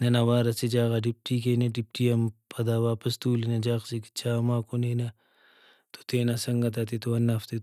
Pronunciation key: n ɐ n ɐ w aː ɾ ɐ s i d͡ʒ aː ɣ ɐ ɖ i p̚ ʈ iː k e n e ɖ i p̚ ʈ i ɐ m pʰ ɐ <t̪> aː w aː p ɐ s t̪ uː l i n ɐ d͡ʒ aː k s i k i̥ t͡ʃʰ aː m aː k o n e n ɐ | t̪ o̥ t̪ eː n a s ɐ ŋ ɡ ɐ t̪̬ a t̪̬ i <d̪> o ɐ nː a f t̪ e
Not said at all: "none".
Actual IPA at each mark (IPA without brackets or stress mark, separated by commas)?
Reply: d̪, t̪